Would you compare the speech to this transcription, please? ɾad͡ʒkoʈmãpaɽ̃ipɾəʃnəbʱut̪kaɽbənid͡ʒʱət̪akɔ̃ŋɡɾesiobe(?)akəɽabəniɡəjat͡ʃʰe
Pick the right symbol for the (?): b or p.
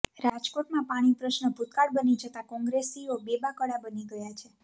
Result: b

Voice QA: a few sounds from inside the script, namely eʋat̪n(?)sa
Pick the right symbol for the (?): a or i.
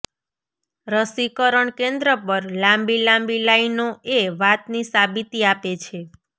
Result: i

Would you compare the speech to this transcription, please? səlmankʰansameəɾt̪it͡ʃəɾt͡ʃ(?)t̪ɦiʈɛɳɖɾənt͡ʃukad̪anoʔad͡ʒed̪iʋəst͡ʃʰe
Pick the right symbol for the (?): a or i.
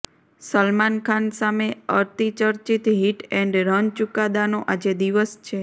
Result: i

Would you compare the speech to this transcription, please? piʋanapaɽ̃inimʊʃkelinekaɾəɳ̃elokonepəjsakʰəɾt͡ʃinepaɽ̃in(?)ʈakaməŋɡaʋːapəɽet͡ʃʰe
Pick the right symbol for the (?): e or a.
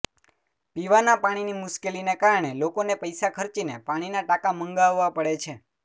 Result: a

